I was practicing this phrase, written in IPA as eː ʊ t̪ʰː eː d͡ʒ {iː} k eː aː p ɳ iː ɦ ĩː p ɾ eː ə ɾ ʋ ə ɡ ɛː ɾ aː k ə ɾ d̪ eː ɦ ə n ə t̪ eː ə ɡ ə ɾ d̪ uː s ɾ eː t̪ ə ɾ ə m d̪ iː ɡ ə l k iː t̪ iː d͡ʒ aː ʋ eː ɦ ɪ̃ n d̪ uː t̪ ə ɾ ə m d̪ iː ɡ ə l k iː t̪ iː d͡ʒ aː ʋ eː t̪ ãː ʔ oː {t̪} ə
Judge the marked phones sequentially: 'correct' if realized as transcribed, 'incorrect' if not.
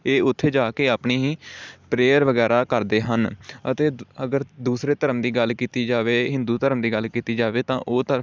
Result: incorrect, correct

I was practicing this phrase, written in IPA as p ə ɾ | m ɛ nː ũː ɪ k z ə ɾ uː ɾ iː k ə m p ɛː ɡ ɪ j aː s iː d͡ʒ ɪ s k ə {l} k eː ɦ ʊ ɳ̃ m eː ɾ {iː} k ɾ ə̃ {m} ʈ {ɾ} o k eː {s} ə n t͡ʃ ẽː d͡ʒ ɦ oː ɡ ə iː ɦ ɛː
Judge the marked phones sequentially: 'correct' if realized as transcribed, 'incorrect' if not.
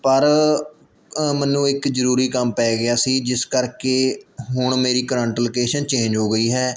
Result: incorrect, correct, incorrect, incorrect, incorrect

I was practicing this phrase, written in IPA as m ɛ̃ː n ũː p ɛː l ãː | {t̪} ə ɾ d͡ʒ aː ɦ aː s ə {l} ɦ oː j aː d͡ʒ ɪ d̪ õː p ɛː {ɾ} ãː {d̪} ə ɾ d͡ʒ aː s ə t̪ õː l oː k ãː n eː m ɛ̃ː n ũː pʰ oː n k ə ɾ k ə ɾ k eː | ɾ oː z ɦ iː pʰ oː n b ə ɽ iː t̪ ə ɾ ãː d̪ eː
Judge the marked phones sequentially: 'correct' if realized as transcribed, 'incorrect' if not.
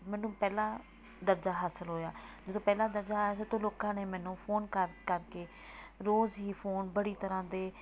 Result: incorrect, correct, incorrect, correct

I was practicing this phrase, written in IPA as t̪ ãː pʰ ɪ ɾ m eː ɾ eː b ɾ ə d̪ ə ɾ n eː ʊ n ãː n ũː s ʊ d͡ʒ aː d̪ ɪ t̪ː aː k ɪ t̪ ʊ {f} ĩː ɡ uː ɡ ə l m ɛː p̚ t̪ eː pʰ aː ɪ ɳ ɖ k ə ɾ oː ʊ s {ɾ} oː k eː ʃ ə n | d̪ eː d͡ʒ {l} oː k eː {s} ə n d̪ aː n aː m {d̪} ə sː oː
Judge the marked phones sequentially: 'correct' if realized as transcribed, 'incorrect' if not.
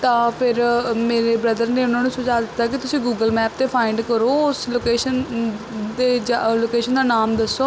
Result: incorrect, incorrect, correct, incorrect, correct

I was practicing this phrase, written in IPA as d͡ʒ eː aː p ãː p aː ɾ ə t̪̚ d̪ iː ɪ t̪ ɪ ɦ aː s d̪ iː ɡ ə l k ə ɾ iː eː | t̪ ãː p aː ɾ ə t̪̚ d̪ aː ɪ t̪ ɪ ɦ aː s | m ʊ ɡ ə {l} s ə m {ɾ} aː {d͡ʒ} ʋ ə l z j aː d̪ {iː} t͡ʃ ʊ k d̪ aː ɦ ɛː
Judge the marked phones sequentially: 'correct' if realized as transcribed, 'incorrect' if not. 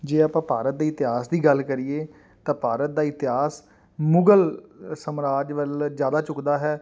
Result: correct, correct, correct, incorrect

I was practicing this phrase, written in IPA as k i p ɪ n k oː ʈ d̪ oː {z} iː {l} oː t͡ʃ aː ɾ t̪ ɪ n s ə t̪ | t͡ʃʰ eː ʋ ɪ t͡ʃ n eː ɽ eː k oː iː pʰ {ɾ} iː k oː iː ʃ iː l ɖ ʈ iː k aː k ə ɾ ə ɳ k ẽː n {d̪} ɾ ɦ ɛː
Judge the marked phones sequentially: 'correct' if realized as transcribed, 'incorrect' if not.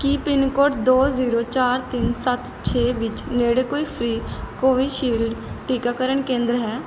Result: correct, incorrect, correct, correct

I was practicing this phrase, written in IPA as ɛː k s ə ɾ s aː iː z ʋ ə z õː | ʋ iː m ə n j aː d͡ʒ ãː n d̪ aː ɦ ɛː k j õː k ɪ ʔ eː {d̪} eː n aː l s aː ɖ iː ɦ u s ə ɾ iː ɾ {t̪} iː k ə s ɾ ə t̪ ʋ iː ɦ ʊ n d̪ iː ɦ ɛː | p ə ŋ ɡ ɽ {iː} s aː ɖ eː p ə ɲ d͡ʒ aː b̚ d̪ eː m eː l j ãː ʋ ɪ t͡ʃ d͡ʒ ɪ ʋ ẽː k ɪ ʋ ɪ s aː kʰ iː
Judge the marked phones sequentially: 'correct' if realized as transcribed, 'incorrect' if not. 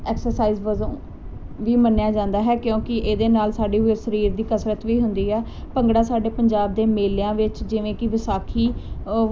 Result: correct, incorrect, incorrect

